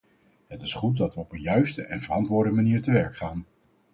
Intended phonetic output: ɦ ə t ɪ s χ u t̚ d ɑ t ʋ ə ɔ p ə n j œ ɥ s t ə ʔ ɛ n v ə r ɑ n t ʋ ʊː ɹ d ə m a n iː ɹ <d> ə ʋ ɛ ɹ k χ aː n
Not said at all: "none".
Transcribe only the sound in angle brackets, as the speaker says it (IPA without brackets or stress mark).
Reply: t